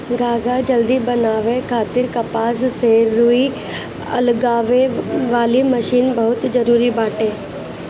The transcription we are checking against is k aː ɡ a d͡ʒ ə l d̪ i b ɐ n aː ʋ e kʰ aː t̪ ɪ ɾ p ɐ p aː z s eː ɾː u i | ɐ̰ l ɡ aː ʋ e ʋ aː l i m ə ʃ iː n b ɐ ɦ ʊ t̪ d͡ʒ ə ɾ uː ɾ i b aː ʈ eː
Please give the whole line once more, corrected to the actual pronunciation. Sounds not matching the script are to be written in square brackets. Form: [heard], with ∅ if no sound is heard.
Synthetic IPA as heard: [ɡ] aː ɡ a d͡ʒ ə l d̪ i b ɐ n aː ʋ e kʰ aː t̪ ɪ ɾ [k] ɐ p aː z s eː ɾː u i | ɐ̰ l ɡ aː ʋ e ʋ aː l i m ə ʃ iː n b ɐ ɦ ʊ t̪ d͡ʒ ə ɾ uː ɾ i b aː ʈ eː